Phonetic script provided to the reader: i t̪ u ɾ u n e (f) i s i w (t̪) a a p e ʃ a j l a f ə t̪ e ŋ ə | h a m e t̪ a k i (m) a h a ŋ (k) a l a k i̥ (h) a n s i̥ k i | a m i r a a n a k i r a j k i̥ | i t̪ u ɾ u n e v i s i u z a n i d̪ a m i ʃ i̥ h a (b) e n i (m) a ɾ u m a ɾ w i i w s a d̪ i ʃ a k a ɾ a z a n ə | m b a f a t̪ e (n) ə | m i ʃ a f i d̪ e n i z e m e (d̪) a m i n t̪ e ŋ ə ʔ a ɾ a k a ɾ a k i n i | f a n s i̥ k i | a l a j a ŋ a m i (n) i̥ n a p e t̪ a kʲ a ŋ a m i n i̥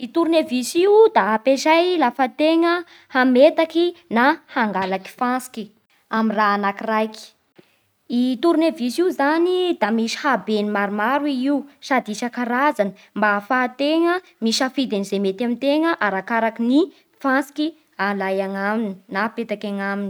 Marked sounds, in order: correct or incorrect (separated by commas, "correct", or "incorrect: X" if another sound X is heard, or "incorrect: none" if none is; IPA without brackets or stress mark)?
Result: incorrect: v, incorrect: d̪, incorrect: n, incorrect: ɡ, incorrect: f, correct, correct, incorrect: ŋ, incorrect: t̪, correct